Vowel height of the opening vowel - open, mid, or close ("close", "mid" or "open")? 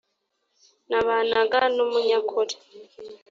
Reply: open